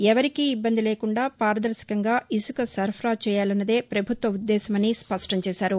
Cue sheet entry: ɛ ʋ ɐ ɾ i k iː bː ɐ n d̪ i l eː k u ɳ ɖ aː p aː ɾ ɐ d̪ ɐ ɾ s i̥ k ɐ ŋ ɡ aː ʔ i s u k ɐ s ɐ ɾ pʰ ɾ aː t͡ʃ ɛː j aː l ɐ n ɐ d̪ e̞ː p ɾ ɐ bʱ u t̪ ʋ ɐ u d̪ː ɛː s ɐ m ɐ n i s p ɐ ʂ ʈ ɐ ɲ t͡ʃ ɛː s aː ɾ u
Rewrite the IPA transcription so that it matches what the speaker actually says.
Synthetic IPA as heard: ɛ ʋ ɐ ɾ i k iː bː ɐ n d̪ i l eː k u ɳ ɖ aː p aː ɾ ɐ d̪ ɐ ɾ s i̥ k ɐ ŋ ɡ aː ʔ i s u k ɐ s ɐ ɾ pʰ ɾ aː t͡ʃ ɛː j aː l ɐ nː ɐ d̪ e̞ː p ɾ ɐ bʱ u t̪ ʋ ɐ u d̪ː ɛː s ɐ m ɐ n i s p ɐ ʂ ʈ ɐ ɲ t͡ʃ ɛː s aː ɾ u